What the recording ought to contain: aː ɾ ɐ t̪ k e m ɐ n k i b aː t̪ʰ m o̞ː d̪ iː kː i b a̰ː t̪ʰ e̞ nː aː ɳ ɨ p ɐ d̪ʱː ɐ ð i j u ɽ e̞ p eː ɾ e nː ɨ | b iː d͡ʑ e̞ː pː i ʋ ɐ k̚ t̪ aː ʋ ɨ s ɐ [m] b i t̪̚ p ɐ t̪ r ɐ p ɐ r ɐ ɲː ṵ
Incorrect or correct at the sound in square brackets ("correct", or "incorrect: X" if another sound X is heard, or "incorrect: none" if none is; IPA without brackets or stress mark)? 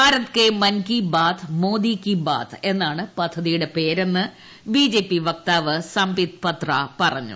correct